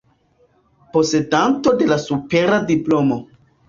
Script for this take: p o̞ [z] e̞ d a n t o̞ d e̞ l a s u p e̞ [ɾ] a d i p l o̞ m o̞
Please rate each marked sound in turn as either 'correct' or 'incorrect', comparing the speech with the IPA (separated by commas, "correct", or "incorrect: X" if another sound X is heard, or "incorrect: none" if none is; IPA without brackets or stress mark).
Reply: incorrect: s, correct